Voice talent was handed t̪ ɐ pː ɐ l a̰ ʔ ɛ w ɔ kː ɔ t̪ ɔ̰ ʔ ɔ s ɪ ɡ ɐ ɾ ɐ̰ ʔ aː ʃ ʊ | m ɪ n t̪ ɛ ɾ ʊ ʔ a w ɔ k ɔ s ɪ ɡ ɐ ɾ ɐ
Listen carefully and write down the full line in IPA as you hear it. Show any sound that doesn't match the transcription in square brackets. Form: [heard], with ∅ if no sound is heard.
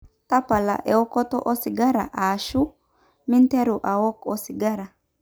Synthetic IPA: t̪ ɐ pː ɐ l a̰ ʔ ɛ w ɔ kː ɔ t̪ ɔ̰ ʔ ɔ s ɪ ɡ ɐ ɾ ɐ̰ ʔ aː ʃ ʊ | m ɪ n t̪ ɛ ɾ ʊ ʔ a w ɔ k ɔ s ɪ ɡ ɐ ɾ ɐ

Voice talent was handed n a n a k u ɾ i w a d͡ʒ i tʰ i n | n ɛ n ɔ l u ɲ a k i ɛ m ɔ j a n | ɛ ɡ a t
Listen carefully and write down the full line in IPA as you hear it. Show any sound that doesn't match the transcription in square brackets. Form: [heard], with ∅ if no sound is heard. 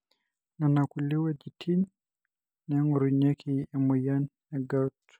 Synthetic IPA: n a n a k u [l] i w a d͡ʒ i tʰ i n | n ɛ [ŋ] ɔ [ɾ] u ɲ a k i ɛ m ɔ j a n | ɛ ɡ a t

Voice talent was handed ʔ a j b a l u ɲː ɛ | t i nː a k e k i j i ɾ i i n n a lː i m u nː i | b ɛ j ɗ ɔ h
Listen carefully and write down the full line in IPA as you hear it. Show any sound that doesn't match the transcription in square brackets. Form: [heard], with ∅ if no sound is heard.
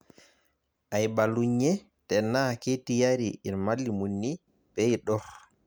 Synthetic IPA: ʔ a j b a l u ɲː ɛ | t [ɛ] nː a k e [t] i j [a] ɾ i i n [m] a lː i m u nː i | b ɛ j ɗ ɔ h

